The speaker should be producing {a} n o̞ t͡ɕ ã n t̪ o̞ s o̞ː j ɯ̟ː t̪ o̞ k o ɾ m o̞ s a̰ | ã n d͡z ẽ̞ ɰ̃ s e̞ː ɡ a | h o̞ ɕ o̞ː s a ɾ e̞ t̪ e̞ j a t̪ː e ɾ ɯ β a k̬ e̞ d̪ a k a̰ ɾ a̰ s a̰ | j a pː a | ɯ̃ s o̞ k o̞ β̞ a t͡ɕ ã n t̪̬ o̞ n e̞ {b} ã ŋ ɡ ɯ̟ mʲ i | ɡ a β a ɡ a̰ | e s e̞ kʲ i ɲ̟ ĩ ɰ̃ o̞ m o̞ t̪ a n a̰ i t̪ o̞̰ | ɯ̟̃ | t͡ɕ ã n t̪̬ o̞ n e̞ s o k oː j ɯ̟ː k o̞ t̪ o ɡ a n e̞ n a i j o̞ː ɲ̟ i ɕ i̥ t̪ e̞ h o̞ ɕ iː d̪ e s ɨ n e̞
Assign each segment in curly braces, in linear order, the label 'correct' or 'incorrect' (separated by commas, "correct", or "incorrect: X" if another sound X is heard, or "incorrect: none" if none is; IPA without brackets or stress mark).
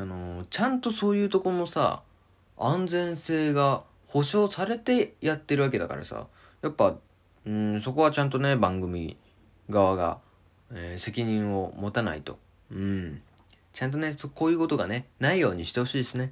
correct, correct